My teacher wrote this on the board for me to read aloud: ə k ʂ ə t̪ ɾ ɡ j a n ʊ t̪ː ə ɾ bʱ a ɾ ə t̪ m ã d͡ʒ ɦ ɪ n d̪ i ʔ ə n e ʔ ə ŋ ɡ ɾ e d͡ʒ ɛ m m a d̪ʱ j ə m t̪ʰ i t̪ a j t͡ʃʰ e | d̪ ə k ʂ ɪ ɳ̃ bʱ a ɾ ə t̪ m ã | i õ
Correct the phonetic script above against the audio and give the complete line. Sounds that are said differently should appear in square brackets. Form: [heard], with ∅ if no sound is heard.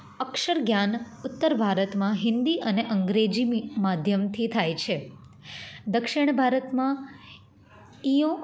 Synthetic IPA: ə k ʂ ə [∅] ɾ ɡ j a n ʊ t̪ː ə ɾ bʱ a ɾ ə t̪ m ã [∅] ɦ ɪ n d̪ i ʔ ə n e ʔ ə ŋ ɡ ɾ e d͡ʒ [i] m m a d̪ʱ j ə m t̪ʰ i [t̪ʰ] a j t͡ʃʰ e | d̪ ə k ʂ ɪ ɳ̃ bʱ a ɾ ə t̪ m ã | i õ